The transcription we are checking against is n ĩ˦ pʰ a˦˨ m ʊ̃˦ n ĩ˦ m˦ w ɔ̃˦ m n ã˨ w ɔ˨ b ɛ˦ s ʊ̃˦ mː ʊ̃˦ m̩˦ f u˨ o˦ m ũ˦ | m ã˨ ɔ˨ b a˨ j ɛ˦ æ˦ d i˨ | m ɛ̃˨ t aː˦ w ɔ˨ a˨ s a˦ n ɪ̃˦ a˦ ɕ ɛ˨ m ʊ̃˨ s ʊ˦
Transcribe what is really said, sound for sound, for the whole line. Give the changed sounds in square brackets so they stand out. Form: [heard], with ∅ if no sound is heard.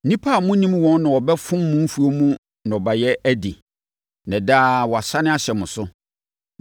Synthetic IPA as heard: n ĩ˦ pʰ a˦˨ m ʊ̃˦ n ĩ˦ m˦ w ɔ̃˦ [n] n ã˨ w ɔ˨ b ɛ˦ [f] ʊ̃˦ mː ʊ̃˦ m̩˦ f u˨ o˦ m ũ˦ | [n] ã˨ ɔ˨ b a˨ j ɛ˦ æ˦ d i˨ | [n] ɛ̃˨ [d] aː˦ w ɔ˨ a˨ s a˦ n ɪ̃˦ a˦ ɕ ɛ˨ m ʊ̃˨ s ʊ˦